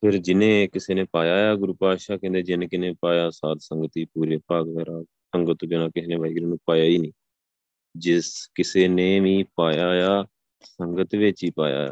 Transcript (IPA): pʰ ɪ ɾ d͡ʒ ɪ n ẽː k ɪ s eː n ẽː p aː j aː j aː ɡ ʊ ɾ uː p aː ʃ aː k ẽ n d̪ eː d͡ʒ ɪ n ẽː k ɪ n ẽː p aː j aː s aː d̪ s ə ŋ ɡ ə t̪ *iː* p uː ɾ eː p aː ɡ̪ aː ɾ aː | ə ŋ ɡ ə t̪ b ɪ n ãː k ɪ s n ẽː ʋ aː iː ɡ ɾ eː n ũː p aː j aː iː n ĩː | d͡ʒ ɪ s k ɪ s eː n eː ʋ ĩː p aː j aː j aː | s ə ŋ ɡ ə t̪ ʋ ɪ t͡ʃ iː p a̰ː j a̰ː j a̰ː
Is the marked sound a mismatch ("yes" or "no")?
no